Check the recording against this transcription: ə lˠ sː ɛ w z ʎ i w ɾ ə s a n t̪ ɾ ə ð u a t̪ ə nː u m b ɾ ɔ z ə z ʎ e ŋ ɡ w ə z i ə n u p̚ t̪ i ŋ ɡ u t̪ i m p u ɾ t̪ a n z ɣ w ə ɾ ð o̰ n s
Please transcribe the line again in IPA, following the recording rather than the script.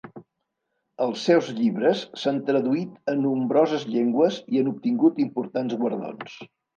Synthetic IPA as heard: ə lˠ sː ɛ w z ʎ i β ɾ ə sː a n t̪ ɾ ə ð u i t̪ ə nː u m b ɾ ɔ z ə z ʎ e ŋ ɡ w ə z i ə n u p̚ t̪ i ŋ ɡ u t̪ i m p u ɾ t̪ a n z ɣ w ə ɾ ð o̰ n s